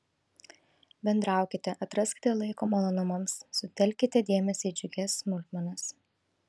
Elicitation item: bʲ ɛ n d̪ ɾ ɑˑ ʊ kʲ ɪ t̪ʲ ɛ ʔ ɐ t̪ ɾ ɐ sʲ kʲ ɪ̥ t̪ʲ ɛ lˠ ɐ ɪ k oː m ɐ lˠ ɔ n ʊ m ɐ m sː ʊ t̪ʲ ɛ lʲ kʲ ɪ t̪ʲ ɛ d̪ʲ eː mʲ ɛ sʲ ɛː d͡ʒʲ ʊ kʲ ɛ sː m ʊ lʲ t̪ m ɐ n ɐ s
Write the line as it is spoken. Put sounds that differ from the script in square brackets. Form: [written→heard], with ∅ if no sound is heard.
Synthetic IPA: bʲ ɛ n d̪ ɾ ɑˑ ʊ kʲ ɪ t̪ʲ ɛ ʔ ɐ t̪ ɾ ɐ sʲ kʲ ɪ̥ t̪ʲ ɛ lˠ ɐ ɪ k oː m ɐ lˠ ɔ n ʊ m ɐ m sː ʊ t̪ʲ ɛ lʲ kʲ ɪ t̪ʲ ɛ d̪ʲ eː mʲ ɛ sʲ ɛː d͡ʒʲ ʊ [kʲ→ɡʲ] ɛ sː m ʊ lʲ t̪ m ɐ n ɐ s